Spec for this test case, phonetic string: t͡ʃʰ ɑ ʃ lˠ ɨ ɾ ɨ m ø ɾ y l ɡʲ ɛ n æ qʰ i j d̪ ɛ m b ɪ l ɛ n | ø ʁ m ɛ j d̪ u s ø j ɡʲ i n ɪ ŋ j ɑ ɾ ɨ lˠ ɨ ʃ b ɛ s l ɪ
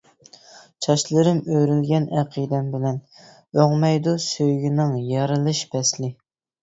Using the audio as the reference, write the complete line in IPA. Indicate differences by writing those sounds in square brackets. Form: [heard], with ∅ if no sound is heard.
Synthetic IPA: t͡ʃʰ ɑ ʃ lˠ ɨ ɾ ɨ m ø ɾ y l ɡʲ ɛ n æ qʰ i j d̪ ɛ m b ɪ l ɛ n | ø ʁ m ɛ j d̪ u s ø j ɡʲ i n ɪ ŋ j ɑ ɾ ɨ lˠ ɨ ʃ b ɛ s l ɪ